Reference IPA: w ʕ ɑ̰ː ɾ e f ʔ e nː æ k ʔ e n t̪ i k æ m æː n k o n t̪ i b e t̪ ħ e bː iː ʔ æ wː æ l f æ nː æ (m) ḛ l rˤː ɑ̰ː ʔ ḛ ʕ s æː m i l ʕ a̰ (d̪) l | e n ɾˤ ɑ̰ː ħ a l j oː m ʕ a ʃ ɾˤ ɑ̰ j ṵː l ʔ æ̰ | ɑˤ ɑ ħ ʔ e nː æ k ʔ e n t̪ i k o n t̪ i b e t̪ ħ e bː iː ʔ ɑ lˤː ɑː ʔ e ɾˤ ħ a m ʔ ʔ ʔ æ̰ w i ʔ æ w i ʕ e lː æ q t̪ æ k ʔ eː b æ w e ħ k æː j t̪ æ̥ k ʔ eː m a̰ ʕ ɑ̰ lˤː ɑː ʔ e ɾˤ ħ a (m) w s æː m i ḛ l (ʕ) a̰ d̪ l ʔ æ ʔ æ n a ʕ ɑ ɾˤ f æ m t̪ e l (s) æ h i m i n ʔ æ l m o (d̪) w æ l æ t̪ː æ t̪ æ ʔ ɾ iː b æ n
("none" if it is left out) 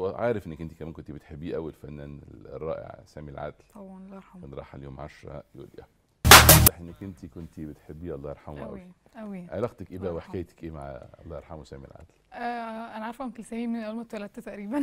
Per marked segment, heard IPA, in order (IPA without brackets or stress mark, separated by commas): n, d̪, m, ʕ, s, t̪